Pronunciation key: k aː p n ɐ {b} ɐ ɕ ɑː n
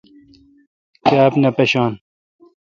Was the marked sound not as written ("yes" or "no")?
yes